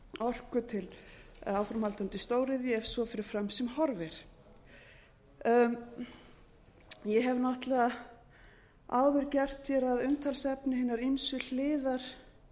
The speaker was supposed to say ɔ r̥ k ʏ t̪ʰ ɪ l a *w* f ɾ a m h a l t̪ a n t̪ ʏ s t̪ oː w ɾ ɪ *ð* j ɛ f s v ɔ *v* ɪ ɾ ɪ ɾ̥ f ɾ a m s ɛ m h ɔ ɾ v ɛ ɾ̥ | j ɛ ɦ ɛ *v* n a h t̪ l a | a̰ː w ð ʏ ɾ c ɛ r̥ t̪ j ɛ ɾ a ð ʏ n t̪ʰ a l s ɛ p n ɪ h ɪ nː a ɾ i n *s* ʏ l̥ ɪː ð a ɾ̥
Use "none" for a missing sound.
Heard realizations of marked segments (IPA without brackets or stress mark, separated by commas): w, ð, f, v, s